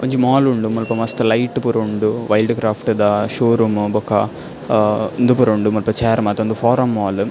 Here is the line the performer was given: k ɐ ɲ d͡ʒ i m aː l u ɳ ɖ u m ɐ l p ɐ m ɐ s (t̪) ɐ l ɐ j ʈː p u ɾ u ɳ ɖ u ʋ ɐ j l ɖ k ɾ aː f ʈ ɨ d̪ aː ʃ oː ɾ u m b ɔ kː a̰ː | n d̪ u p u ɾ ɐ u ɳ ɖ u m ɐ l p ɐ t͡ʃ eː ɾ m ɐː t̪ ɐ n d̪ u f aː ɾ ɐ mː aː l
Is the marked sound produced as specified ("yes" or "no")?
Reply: yes